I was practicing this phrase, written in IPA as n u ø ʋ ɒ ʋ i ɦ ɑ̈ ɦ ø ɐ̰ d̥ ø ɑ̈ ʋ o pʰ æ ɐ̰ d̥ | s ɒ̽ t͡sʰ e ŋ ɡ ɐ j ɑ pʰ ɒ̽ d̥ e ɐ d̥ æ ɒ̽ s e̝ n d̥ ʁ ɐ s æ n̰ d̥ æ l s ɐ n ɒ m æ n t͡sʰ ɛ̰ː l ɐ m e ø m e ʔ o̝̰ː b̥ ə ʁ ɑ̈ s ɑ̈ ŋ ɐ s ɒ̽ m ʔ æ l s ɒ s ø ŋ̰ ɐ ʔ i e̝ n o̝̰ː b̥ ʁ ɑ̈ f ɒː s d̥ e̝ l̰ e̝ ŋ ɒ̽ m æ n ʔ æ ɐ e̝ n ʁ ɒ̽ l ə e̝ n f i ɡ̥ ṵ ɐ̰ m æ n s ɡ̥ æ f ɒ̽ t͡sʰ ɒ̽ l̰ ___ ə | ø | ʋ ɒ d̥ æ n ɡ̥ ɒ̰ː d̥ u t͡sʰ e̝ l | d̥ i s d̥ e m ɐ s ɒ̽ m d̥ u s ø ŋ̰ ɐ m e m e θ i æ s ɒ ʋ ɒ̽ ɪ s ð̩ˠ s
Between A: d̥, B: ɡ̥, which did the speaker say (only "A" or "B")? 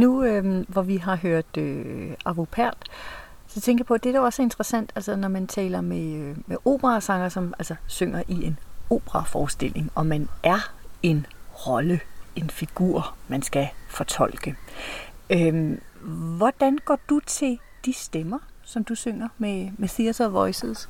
B